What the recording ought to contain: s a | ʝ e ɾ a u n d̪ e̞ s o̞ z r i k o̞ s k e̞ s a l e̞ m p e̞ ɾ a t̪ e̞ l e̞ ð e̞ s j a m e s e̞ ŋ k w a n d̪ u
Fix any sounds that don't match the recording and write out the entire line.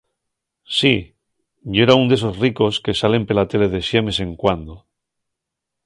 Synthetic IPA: s i | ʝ e ɾ a u n d̪ e̞ s o̞ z r i k o̞ s k e̞ s a l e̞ m p e̞ l a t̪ e̞ l e̞ ð e̞ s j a m e s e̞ ŋ k w a n d̪ o